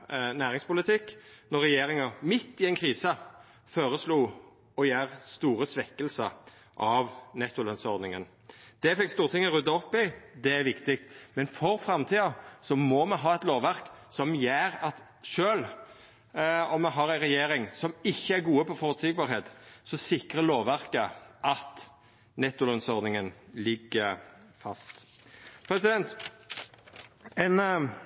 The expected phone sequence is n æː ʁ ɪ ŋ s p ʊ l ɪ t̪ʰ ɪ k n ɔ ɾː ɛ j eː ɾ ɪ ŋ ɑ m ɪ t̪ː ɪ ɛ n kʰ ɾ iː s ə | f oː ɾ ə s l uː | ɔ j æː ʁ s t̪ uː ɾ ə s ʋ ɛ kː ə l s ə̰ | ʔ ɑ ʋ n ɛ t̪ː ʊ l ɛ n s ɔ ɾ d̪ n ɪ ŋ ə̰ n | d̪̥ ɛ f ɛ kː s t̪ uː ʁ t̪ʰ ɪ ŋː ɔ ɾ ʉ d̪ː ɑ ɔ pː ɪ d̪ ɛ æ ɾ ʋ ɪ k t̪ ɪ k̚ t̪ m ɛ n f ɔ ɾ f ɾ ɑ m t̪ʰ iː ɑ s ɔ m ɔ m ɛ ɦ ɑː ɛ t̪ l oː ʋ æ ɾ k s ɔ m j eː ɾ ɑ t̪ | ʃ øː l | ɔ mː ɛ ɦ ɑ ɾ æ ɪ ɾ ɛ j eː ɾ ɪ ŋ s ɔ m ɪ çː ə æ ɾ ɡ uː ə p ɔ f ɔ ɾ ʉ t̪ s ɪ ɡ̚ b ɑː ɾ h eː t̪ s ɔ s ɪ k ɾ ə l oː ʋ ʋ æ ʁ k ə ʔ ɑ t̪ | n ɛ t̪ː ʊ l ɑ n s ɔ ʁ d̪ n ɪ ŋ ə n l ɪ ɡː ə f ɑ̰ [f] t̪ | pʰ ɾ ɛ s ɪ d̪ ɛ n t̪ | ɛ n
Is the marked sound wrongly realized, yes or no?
yes